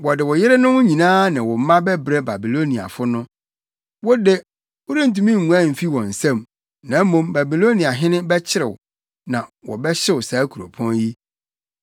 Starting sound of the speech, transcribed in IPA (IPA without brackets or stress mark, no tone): w